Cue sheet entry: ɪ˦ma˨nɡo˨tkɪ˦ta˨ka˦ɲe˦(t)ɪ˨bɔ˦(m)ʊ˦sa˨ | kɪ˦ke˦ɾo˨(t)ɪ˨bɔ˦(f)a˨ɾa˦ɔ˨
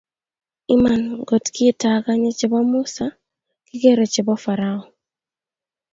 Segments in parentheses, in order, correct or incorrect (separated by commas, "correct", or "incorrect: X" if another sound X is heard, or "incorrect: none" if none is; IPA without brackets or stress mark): incorrect: t͡ʃ, correct, incorrect: t͡ʃ, correct